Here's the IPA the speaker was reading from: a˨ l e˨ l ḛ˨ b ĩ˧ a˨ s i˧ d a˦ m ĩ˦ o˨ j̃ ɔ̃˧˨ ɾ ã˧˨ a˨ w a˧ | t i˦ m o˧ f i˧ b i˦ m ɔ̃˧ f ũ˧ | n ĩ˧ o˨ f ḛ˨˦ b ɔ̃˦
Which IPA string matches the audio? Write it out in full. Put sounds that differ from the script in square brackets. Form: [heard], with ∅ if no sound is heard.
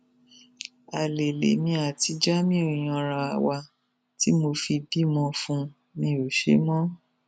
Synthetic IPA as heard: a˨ l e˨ l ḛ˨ [m] ĩ˧ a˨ [t] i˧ [d͡ʒ] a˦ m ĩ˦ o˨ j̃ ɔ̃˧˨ ɾ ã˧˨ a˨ w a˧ | t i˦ m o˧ f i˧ b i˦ m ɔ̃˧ f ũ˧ | n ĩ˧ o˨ [ʃ] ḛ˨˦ [m] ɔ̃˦